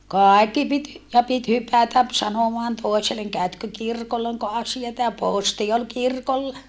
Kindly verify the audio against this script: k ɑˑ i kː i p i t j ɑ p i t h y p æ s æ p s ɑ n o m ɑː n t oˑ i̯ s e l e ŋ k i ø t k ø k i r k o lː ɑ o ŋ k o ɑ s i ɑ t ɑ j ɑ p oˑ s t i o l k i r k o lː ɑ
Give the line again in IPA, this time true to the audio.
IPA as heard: k ɑˑ i kː i p i t j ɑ p i t h y p æ t æ p s ɑ n o m ɑː n t oˑ i̯ s e l e ŋ k æ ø t k ø k i r k o lː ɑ o ŋ k o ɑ s i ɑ t ɑ j ɑ p oˑ s t i o l k i r k o lː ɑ